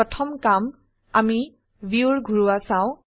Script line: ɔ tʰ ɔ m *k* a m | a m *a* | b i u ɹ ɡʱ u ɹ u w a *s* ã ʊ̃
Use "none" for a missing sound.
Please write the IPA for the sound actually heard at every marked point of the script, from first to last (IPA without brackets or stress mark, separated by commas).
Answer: k, i, s